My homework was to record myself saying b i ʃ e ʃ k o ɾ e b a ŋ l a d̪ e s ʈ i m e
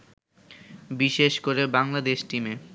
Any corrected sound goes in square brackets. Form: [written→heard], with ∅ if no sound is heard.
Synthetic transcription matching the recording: b i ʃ e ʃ k o ɾ e b a ŋ l a d̪ e [s→ʃ] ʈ i m e